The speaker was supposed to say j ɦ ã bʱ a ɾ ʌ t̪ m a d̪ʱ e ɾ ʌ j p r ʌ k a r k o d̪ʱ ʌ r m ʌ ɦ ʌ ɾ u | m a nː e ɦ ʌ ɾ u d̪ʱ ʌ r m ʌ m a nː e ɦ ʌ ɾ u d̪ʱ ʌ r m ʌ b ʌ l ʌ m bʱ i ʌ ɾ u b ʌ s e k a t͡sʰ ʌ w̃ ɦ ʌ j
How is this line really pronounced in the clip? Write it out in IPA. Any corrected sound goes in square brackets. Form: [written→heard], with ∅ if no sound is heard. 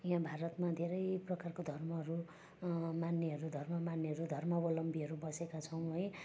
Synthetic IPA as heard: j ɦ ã bʱ a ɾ ʌ t̪ m a d̪ʱ e ɾ ʌ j p r ʌ k a r k o d̪ʱ ʌ r m ʌ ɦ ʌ ɾ u | m a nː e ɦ ʌ ɾ u d̪ʱ ʌ r m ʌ m a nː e ɦ ʌ ɾ u d̪ʱ ʌ r m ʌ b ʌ l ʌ m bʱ i ʌ ɾ u b ʌ s e k a t͡sʰ ʌ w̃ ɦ ʌ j